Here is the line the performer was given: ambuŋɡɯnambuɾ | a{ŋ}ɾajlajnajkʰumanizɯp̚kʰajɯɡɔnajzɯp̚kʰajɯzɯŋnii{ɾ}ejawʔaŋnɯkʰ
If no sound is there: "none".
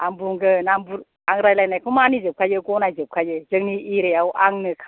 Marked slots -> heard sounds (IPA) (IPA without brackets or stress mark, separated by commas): ŋ, ɾ